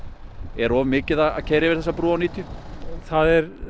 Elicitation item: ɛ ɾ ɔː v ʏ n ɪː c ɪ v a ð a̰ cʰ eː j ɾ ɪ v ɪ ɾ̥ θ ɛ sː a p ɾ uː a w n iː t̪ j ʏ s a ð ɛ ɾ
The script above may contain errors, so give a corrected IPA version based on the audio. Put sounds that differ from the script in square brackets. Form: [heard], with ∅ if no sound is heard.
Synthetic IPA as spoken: ɛ ɾ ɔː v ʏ [m] ɪː c ɪ [ð] a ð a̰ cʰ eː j ɾ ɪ v ɪ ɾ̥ θ ɛ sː a p ɾ uː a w n iː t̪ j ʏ [θ] a ð ɛ ɾ